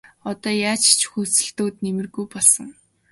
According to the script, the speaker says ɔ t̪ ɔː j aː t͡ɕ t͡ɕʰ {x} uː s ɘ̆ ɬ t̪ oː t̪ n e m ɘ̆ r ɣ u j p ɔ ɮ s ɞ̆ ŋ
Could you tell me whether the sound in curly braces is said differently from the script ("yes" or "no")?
no